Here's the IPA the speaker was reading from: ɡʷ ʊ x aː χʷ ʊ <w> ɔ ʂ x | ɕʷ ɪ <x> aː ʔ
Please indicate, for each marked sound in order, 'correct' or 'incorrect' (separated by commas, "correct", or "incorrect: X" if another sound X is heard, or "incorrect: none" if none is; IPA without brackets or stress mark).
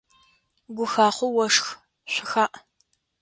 correct, correct